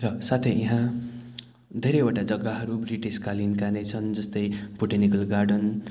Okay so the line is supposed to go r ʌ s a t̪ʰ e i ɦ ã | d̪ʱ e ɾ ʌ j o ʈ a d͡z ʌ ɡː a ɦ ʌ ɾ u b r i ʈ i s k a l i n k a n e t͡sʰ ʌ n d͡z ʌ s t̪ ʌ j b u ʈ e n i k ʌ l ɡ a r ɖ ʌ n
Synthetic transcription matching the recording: r ʌ s a t̪ʰ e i ɦ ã | d̪ʱ e ɾ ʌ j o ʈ a d͡z ʌ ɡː a ɦ ʌ ɾ u b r i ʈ i s k a l i n k a n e t͡sʰ ʌ n d͡z ʌ s t̪ ʌ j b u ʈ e n i k ʌ l ɡ a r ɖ ʌ n